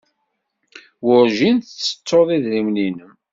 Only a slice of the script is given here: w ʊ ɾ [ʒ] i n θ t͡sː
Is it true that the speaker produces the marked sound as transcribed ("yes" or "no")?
yes